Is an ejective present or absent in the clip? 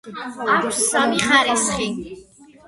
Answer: absent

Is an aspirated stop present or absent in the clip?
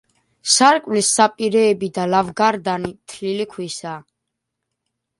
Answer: present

